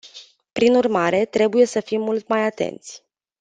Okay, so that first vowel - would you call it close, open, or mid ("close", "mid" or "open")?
close